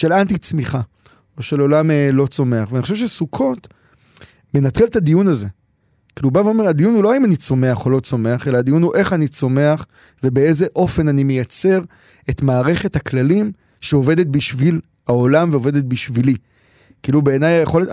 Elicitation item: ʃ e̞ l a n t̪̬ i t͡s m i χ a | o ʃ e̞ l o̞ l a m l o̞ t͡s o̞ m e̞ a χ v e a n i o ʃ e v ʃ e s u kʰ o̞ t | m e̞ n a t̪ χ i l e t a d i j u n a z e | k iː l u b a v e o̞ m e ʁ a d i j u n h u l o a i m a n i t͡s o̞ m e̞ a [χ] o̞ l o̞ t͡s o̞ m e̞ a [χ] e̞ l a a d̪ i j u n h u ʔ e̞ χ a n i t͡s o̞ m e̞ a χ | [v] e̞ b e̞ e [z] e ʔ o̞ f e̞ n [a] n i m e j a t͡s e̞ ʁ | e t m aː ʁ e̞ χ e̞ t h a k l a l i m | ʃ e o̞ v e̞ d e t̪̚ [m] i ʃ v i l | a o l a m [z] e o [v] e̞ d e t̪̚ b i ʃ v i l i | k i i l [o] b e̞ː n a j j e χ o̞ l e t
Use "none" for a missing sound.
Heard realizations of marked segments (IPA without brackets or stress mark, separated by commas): χ, χ, v, z, a, b, v, v, u